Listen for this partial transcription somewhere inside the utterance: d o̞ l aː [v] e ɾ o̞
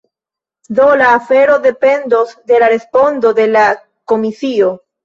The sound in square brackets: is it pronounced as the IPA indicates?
no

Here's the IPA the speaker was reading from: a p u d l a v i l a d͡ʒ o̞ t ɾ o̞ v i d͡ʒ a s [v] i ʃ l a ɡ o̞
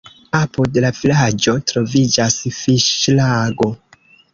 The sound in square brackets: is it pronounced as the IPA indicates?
no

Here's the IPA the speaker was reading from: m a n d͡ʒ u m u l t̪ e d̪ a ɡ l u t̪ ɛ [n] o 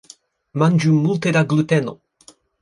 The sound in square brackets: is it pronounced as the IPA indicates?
yes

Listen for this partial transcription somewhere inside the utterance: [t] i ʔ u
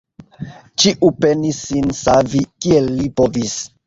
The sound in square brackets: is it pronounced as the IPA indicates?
no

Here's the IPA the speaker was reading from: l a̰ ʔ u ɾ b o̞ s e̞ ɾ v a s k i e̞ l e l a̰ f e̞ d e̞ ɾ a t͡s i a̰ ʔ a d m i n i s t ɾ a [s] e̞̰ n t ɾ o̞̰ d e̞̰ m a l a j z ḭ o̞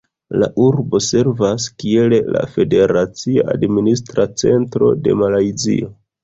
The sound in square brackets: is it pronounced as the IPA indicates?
no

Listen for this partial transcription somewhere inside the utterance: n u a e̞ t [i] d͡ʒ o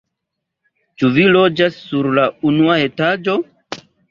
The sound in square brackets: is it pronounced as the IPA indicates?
no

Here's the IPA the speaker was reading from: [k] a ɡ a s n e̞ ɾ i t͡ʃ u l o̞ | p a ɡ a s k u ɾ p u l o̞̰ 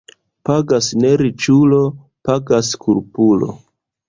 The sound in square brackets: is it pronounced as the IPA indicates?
no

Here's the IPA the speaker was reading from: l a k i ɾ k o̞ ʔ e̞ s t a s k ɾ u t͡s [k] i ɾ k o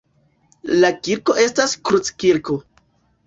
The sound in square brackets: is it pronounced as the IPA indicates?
yes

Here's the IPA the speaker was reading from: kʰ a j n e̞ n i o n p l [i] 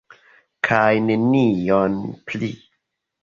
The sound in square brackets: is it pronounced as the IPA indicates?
yes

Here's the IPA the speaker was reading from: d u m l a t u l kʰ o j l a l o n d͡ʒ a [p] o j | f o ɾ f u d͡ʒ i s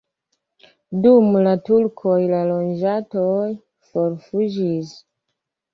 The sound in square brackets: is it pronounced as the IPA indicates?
no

